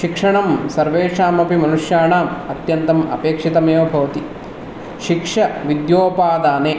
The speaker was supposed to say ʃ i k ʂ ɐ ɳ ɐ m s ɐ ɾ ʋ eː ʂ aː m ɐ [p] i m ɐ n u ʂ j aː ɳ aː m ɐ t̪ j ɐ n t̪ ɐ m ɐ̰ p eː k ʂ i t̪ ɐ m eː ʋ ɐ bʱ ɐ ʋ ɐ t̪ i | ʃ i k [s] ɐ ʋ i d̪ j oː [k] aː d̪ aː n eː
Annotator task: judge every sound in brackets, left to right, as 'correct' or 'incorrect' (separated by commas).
correct, incorrect, incorrect